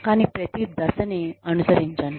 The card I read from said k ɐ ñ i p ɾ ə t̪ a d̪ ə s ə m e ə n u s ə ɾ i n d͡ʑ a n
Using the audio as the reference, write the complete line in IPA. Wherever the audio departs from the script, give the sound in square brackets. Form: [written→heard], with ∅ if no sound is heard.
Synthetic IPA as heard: k [ɐ→a] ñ i p ɾ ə t̪ [a→i] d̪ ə s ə [m→n] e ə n u s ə ɾ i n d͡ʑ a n